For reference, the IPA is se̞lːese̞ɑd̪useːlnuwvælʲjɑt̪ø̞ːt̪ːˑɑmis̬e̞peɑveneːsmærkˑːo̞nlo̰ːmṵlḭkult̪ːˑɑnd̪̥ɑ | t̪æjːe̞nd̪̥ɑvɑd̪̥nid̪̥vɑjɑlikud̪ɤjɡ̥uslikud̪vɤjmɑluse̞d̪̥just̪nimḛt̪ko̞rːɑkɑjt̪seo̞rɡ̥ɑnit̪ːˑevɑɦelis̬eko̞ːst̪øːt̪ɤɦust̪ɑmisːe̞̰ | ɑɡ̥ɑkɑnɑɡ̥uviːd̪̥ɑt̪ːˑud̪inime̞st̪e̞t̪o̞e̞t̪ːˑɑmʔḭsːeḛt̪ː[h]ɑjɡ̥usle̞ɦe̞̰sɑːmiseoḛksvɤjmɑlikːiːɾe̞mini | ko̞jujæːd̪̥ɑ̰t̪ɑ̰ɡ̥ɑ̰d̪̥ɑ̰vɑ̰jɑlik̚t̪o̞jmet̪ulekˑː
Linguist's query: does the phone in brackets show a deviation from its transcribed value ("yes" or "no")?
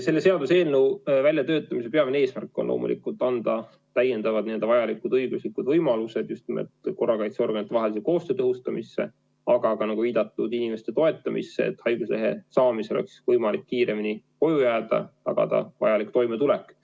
no